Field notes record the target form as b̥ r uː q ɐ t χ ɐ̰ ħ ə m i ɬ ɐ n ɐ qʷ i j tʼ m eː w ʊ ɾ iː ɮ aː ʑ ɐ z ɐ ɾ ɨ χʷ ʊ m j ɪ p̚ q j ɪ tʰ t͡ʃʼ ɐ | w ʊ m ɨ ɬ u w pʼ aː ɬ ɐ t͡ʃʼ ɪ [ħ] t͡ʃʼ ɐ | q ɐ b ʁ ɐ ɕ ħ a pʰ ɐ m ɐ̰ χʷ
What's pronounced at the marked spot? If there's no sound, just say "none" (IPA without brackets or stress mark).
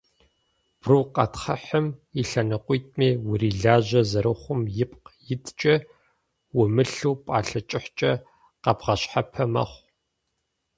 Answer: ħ